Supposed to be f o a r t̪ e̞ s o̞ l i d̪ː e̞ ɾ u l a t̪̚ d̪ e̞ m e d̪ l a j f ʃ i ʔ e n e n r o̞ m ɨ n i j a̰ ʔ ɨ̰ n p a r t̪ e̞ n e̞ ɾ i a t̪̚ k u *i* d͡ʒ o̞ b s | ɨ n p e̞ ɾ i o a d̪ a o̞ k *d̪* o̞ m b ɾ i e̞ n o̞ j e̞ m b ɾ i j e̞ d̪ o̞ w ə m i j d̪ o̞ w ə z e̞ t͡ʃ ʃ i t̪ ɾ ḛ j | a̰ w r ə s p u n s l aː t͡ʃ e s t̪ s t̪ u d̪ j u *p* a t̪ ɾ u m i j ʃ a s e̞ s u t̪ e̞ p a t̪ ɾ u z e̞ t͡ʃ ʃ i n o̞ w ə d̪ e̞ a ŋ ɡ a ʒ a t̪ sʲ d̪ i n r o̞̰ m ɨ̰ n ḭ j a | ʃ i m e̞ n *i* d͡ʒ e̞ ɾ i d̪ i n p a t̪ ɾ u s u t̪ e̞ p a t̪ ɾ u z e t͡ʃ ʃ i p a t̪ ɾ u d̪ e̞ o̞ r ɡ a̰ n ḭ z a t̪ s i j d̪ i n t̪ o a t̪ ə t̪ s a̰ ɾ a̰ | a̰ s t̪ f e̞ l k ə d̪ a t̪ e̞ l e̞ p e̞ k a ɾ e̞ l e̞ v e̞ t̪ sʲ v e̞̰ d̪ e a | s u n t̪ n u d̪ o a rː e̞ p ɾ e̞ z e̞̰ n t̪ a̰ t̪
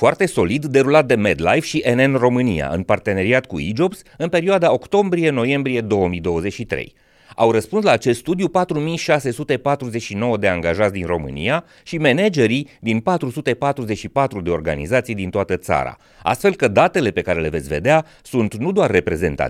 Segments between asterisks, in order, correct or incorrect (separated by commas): correct, incorrect, correct, incorrect